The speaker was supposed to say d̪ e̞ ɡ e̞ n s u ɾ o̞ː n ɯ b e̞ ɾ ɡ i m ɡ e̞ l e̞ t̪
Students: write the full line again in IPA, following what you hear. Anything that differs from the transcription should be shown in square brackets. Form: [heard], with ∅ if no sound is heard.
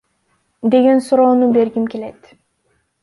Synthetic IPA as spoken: d̪ e̞ ɡ e̞ n s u ɾ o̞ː n [u] b e̞ ɾ ɡ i m [k] e̞ l e̞ t̪